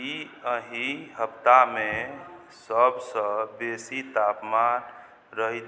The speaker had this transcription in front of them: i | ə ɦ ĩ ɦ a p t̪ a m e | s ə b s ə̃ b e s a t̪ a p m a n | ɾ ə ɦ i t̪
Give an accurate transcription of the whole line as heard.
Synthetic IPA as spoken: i | ə ɦ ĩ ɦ ə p t̪ a m e | s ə b s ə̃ b e s i t̪ a p m a n | ɾ ə ɦ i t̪